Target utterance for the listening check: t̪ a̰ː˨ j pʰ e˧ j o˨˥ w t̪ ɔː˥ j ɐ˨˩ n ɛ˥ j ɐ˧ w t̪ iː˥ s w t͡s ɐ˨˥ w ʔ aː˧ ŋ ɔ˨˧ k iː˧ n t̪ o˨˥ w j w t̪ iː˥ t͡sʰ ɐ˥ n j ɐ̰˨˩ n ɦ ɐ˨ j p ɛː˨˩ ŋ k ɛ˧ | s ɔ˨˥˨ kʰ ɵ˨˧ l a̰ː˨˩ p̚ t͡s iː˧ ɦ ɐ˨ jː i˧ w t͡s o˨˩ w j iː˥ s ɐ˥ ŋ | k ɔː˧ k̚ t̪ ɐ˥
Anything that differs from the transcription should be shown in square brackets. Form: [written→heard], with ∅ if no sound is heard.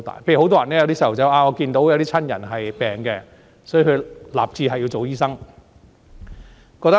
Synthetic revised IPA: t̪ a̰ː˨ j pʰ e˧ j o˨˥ w t̪ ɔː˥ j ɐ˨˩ n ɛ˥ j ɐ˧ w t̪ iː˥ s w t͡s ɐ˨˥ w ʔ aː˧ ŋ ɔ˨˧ k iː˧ n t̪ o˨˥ w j w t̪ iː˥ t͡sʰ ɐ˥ n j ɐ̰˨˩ n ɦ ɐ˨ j p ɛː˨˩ ŋ k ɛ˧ | s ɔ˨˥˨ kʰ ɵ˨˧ l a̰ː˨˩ p̚ t͡s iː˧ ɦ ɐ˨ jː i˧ w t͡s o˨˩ w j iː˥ s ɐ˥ ŋ | k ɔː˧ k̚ t̪ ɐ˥